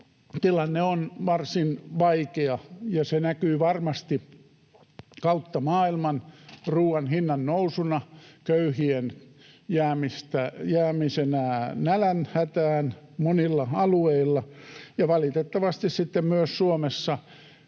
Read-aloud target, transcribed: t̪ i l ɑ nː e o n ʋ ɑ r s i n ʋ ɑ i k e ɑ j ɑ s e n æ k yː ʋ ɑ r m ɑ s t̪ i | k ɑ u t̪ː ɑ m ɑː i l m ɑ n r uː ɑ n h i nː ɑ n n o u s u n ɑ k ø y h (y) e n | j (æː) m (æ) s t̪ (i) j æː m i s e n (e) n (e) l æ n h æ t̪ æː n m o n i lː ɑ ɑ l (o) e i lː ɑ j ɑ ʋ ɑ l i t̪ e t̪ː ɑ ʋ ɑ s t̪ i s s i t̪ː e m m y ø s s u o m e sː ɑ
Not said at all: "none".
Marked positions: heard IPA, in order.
i, æː, i, æ, æ, æ, u

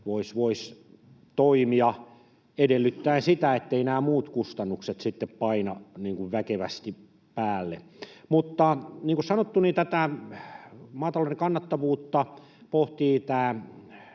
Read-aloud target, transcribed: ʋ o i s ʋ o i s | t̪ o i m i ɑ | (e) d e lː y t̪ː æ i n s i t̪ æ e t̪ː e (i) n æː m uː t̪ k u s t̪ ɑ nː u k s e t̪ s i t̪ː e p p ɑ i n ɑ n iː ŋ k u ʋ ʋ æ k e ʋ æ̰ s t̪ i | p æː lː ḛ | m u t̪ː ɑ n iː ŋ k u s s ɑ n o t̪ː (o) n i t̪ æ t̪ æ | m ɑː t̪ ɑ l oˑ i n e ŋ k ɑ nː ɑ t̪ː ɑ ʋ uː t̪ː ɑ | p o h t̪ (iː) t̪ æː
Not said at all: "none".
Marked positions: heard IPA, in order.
e, i, u, iː

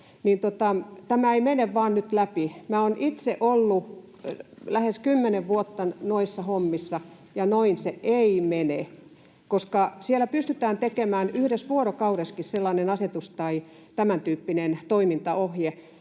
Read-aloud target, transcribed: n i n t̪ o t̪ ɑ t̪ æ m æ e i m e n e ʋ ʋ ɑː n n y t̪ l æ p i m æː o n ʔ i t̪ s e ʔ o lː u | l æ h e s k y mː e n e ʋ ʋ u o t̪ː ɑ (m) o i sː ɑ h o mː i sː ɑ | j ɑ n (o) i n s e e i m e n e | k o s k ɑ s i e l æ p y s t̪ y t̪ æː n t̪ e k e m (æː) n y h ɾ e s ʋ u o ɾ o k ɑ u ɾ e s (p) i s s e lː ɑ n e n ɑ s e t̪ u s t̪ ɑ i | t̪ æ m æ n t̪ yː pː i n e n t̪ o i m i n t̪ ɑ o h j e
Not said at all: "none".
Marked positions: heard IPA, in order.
n, o, æː, k

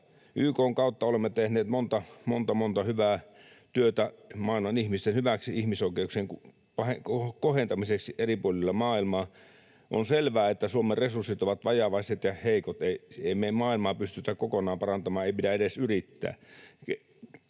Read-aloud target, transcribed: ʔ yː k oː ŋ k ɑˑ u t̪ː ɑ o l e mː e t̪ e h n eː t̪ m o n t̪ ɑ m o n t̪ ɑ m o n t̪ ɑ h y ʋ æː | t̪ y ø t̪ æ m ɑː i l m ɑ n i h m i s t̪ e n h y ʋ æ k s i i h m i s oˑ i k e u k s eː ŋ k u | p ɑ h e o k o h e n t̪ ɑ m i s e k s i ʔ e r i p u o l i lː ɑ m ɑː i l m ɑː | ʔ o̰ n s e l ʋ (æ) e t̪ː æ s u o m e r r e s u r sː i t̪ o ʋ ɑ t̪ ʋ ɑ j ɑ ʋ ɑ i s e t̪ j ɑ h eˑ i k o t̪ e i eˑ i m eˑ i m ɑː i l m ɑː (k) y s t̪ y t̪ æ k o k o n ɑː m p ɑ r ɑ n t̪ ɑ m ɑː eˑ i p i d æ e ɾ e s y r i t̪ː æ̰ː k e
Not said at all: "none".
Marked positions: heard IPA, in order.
æː, p

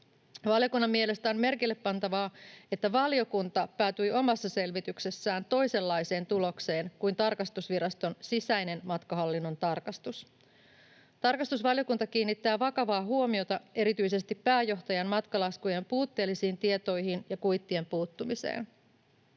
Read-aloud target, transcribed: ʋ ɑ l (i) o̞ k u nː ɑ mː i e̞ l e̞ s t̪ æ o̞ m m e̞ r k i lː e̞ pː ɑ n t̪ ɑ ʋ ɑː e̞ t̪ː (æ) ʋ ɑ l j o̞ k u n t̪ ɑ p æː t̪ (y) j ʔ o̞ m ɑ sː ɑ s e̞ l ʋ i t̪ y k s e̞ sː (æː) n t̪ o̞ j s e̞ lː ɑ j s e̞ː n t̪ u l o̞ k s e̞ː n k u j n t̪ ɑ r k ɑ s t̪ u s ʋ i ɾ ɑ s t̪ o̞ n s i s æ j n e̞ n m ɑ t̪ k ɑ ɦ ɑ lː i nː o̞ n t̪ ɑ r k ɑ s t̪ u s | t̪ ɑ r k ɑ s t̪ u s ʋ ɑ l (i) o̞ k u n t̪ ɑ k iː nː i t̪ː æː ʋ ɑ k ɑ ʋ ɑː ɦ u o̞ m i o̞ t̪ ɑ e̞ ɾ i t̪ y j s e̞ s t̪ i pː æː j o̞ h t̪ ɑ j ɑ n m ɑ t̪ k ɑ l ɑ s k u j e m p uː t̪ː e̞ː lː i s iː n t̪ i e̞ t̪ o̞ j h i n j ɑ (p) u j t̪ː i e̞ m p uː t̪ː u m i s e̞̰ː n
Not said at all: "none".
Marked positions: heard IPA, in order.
j, æ, y, æː, j, k

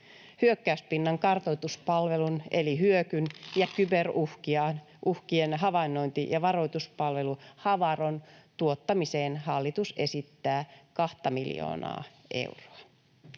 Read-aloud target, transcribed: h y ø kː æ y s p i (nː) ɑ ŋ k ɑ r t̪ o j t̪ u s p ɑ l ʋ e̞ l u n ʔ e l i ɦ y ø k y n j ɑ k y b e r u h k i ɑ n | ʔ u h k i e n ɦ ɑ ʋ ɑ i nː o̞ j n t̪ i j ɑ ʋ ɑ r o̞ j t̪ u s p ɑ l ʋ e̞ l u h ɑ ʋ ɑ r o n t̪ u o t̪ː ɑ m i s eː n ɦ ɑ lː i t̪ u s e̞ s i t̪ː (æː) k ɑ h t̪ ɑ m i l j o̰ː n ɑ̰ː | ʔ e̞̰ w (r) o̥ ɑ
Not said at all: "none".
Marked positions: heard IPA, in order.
nː, æː, r

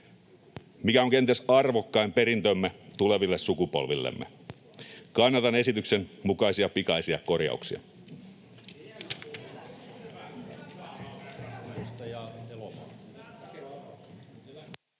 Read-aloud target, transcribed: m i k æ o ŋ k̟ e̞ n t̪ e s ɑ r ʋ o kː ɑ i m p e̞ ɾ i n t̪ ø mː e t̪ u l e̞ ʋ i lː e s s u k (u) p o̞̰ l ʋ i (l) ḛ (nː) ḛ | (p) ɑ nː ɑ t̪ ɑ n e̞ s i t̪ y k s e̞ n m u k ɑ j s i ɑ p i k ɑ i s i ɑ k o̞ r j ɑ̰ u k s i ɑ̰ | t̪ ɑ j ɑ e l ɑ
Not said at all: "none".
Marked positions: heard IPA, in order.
u, lː, mː, k

